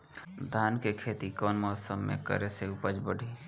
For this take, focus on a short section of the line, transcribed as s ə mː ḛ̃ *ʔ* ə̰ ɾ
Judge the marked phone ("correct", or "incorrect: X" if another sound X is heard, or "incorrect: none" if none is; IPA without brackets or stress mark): incorrect: k